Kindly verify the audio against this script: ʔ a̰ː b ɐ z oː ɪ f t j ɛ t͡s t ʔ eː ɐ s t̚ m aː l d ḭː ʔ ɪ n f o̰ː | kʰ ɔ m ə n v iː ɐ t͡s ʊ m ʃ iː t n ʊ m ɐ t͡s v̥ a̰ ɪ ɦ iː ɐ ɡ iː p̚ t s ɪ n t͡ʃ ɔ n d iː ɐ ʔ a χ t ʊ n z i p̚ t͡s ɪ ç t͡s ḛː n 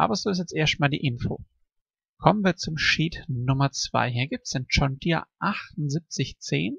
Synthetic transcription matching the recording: ʔ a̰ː b ɐ z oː ɪ s t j ɛ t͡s t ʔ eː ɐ s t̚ m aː l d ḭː ʔ ɪ n f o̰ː | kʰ ɔ m ə n v iː ɐ t͡s ʊ m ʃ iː t n ʊ m ɐ t͡s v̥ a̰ ɪ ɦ iː ɐ ɡ iː p̚ t s ɪ n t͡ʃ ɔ n d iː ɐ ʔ a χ t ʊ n z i p̚ t͡s ɪ ç t͡s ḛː n

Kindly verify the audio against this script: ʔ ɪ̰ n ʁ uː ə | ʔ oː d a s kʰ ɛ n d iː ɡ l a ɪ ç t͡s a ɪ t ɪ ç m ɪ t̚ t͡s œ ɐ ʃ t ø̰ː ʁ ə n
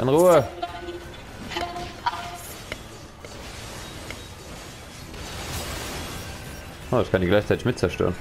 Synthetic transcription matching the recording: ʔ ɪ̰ n ʁ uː ə | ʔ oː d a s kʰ a n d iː ɡ l a ɪ ç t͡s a ɪ t ɪ ç m ɪ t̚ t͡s ɛ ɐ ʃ t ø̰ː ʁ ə n

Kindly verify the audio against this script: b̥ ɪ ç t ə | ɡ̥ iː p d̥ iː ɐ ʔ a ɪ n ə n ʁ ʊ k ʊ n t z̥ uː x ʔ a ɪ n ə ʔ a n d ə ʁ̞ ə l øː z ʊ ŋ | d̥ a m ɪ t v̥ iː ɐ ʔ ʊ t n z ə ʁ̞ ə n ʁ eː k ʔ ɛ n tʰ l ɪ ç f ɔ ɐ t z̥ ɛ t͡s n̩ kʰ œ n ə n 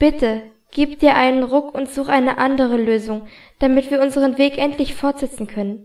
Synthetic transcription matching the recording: b̥ ɪ t ə | ɡ̥ iː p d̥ iː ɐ ʔ a ɪ n ə n ʁ ʊ k ʊ n t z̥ uː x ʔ a ɪ n ə ʔ a n d ə ʁ̞ ə l øː z ʊ ŋ | d̥ a m ɪ t v̥ iː ɐ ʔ ʊ n z ə ʁ̞ ə n v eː k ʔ ɛ n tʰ l ɪ ç f ɔ ɐ t z̥ ɛ t͡s n̩ kʰ œ n ə n

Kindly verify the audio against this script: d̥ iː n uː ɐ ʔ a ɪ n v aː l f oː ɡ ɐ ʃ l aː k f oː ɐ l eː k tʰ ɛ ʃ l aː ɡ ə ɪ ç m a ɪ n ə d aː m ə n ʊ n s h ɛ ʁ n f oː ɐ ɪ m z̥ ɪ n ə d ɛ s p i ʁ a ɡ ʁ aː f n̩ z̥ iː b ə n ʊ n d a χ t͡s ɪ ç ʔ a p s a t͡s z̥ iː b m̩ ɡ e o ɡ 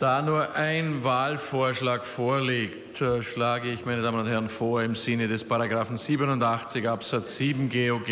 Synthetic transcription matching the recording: d̥ aː n uː ɐ ʔ a ɪ n v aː l f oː ɐ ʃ l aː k f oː ɐ l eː k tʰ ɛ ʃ l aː ɡ ə ɪ ç m a ɪ n ə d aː m ə n ʊ n t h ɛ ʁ n f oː ɐ ɪ m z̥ ɪ n ə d ɛ s p a ʁ a ɡ ʁ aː f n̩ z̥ iː b ə n ʊ n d a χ t͡s ɪ ç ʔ a p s a t͡s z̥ iː b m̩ ɡ e o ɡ

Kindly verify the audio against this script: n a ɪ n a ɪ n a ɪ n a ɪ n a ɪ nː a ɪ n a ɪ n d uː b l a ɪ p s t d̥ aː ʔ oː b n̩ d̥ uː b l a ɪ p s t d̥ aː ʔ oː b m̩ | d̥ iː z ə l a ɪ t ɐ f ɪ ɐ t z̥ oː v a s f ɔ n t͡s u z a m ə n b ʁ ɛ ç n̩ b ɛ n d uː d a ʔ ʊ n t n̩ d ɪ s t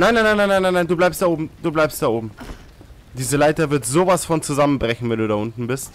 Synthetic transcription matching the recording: n a ɪ n a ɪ n a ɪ n a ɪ n a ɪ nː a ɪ n a ɪ n d uː b l a ɪ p s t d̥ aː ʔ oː b m̩ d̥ uː b l a ɪ p s t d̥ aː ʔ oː b m̩ | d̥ iː z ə l a ɪ t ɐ v ɪ ɐ t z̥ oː v a s f ɔ n t͡s u z a m ə n b ʁ ɛ ç n̩ v ɛ n d uː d a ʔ ʊ n t n̩ b ɪ s t

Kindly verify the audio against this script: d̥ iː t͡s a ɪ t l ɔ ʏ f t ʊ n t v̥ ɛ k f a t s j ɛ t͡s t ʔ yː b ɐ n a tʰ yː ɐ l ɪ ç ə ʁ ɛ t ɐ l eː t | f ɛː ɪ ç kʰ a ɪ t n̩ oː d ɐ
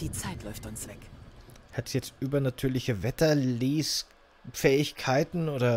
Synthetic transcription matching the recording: d̥ iː t͡s a ɪ t l ɔ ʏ f t ʊ n s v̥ ɛ k h a t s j ɛ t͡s t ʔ yː b ɐ n a tʰ yː ɐ l ɪ ç ə v ɛ t ɐ l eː s | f ɛː ɪ ç kʰ a ɪ t n̩ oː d ɐ

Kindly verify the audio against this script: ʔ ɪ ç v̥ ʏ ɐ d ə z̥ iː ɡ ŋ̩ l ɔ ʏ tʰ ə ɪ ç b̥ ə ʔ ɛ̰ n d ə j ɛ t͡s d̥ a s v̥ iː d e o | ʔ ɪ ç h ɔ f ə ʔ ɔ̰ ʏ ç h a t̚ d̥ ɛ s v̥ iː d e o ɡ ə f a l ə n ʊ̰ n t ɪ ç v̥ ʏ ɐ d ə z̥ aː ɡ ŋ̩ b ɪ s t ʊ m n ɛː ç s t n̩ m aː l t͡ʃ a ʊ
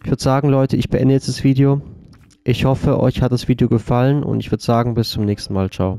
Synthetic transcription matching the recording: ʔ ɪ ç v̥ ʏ ɐ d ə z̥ aː ɡ ŋ̩ l ɔ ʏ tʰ ə ɪ ç b̥ ə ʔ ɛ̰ n d ə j ɛ t͡s d̥ a s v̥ iː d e o | ʔ ɪ ç h ɔ f ə ʔ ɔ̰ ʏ ç h a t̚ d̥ a s v̥ iː d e o ɡ ə f a l ə n ʊ̰ n t ɪ ç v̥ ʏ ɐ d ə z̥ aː ɡ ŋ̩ b ɪ s t͡s ʊ m n ɛː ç s t n̩ m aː l t͡ʃ a ʊ

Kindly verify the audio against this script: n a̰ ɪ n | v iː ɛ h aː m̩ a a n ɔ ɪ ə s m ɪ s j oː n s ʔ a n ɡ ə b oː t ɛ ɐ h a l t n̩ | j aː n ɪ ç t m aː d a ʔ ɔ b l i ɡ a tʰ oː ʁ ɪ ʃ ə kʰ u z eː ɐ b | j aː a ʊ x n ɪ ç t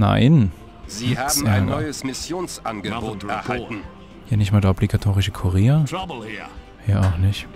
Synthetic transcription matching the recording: n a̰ ɪ n | z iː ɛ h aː m̩ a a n ɔ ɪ ə s m ɪ s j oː n s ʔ a n ɡ ə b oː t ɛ ɐ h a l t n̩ | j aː n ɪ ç t m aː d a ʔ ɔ b l i ɡ a tʰ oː ʁ ɪ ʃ ə kʰ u ʁ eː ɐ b | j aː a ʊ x n ɪ ç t

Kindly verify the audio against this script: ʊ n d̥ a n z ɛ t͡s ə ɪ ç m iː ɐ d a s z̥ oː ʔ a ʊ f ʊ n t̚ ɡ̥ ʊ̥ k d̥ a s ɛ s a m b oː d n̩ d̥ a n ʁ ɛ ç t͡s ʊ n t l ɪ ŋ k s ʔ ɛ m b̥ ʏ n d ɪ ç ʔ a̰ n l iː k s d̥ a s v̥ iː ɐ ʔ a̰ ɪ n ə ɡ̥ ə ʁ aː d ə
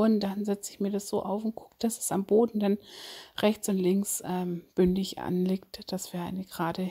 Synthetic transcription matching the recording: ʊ n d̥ a n z ɛ t͡s ə ɪ ç m iː ɐ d a s z̥ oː ʔ a ʊ f ʊ n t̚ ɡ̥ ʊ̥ k d̥ a s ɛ s a m b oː d n̩ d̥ a n ʁ ɛ ç t͡s ʊ n t l ɪ ŋ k s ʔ ɛ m b̥ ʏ n d ɪ ç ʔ a̰ n l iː k t d̥ a s v̥ iː ɐ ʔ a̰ ɪ n ə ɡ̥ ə ʁ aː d ə

